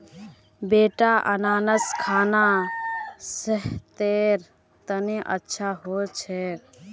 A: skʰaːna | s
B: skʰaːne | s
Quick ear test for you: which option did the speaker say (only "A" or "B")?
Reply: A